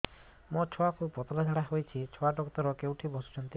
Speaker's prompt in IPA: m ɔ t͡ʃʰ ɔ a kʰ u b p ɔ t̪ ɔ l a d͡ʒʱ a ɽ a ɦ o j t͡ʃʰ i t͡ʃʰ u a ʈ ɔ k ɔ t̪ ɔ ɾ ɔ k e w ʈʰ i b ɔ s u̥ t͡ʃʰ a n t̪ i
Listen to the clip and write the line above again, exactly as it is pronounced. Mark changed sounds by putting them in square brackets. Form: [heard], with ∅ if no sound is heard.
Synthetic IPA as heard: m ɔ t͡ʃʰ ɔ a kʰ u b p ɔ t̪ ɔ l a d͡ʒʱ a ɽ a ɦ o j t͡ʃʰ i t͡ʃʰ [ɔ] a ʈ ɔ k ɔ t̪ ɔ ɾ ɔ k e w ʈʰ i b ɔ s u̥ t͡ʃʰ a n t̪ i